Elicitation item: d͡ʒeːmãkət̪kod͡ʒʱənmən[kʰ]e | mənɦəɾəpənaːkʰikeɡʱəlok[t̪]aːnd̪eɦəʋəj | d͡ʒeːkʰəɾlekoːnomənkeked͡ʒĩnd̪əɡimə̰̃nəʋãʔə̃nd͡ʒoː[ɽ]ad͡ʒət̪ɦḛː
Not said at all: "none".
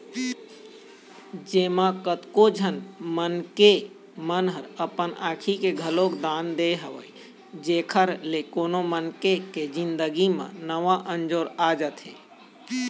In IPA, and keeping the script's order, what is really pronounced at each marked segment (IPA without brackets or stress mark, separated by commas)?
k, d̪, ɾ